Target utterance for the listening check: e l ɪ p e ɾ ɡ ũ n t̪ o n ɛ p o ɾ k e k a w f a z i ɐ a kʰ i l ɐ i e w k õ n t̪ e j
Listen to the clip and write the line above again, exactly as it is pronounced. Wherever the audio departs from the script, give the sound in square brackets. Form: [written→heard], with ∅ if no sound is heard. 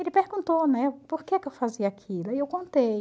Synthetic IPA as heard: e l ɪ p e ɾ ɡ ũ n t̪ o n ɛ p o ɾ k e k [a→e] w f a z i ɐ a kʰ i l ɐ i e w k õ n t̪ e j